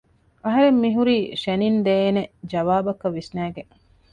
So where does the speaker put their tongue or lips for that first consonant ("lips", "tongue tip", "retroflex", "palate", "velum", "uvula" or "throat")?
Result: throat